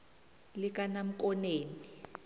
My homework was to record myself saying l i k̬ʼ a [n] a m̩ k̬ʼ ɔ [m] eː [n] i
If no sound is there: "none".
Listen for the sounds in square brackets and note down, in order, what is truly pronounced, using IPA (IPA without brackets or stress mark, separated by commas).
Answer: n, n, n